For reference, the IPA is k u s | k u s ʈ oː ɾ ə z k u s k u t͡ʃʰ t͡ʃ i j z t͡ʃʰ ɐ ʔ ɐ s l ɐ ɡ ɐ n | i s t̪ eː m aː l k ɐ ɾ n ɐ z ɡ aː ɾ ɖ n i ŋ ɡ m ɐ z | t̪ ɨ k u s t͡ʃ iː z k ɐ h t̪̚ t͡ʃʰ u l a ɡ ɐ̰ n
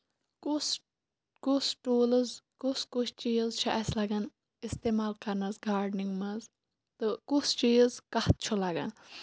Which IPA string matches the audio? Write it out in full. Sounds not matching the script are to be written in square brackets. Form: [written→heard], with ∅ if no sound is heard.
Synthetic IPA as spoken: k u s | k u s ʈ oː [ɾ→l] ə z k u s k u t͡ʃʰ t͡ʃ i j z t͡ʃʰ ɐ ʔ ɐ s l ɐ ɡ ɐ n | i s t̪ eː m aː l k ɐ ɾ n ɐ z ɡ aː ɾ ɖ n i ŋ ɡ m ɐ z | t̪ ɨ k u s t͡ʃ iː z k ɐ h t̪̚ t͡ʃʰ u l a ɡ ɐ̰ n